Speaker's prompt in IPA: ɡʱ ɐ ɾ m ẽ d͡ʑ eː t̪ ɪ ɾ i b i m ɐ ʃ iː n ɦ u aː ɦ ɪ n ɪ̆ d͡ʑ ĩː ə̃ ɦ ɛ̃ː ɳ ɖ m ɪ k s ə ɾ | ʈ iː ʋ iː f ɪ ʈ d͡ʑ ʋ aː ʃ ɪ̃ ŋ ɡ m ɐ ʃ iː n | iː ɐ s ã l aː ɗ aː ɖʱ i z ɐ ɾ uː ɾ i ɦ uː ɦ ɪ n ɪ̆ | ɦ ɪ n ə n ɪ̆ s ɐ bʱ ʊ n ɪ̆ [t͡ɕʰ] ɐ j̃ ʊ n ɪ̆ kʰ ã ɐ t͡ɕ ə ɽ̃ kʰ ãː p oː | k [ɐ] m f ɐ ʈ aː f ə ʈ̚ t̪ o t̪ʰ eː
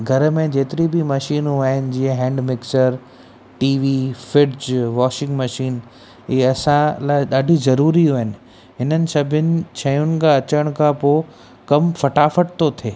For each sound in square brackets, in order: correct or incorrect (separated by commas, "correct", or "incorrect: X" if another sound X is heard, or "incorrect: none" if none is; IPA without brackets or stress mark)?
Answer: correct, correct